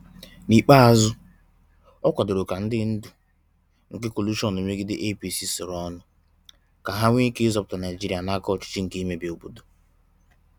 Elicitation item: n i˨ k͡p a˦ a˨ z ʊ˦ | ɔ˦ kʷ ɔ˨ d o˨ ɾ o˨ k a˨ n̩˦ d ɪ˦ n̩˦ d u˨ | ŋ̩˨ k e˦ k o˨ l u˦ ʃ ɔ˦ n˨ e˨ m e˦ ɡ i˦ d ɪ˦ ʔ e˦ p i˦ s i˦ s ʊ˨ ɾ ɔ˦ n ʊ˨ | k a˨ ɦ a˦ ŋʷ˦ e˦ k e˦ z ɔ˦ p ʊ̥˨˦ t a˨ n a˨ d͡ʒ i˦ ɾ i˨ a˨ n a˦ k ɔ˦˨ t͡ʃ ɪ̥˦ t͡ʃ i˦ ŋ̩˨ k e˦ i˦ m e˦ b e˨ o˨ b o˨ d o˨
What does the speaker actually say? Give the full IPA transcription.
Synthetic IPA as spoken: n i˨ k͡p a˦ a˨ z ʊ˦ | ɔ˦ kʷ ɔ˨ d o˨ ɾ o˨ k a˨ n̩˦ d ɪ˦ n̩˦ d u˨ | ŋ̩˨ k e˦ k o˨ l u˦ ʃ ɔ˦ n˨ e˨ m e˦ ɡ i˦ d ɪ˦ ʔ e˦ p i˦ s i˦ s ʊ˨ ɾ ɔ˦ n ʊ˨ | k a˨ ɦ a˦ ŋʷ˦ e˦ k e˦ z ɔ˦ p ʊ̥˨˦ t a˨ n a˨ d͡ʒ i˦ ɾ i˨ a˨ n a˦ k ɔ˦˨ t͡ʃ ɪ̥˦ t͡ʃ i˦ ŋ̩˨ k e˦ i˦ m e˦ b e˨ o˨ b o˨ d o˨